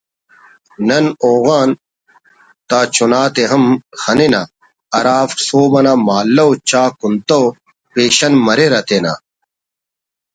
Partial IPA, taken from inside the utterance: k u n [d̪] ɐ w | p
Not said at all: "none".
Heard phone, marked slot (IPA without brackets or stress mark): t̪